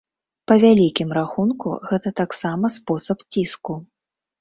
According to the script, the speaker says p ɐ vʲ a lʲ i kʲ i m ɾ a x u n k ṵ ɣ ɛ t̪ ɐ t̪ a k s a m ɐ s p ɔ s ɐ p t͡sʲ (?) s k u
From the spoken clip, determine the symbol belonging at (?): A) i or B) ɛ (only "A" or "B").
A